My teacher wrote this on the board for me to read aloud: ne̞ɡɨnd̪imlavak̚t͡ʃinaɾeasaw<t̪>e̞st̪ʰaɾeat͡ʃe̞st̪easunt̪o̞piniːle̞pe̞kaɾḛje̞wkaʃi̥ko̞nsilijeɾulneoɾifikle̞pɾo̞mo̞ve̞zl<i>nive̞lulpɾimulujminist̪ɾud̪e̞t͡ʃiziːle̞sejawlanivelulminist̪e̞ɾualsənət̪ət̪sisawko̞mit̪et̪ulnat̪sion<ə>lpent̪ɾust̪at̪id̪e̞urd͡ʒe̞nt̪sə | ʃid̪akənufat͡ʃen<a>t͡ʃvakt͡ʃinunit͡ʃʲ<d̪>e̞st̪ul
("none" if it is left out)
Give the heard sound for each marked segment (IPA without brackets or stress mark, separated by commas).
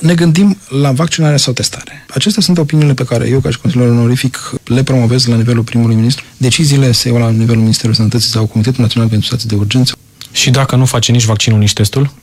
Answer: t̪, a, a, i, t̪